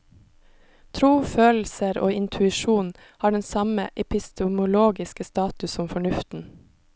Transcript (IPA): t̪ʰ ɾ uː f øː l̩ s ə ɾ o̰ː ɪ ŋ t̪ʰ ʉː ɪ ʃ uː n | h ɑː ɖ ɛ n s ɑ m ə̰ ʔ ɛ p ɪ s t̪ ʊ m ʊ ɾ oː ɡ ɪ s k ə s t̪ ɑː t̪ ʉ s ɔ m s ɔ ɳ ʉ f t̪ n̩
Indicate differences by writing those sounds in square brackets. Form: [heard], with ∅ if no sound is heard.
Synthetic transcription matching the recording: t̪ʰ ɾ uː f øː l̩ s ə ɾ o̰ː ɪ [n] t̪ʰ [ʉ] ɪ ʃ uː n | h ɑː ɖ ɛ n s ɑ m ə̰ ʔ ɛ p ɪ s t̪ ʊ m ʊ [l] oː ɡ ɪ s k ə s t̪ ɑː t̪ ʉ s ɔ m [f] ɔ ɳ ʉ f t̪ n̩